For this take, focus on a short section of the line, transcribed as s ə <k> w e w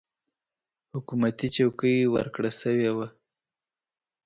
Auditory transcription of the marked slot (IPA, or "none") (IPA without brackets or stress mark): none